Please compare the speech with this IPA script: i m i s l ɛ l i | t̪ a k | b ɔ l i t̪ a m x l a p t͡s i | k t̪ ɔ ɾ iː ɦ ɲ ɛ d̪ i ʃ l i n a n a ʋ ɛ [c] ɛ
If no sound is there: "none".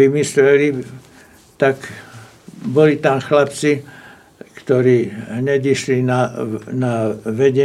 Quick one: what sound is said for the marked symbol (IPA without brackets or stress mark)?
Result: ɟ